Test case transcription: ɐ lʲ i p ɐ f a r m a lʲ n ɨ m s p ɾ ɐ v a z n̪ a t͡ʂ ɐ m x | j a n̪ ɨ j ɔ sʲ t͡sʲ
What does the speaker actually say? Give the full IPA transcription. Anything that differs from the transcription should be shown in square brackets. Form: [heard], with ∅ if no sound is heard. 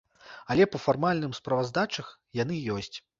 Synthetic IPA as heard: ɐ lʲ [ɛ] p ɐ f a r m a lʲ n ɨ m s p ɾ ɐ v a z [d̪] a t͡ʂ ɐ [∅] x | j a n̪ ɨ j ɔ sʲ t͡sʲ